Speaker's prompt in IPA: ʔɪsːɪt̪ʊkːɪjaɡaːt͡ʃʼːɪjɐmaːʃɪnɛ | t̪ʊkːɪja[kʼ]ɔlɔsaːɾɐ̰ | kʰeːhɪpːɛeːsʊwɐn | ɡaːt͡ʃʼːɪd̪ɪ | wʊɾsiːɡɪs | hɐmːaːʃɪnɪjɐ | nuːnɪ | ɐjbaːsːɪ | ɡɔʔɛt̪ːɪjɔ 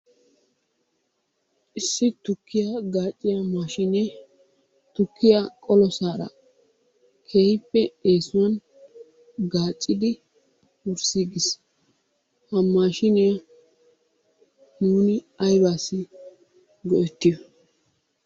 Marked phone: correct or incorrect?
correct